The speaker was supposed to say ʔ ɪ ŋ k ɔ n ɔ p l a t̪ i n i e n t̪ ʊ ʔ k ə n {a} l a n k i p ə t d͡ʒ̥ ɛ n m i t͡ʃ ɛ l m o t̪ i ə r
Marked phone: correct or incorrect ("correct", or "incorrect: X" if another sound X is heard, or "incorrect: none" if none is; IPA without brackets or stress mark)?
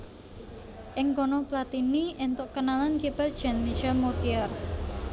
correct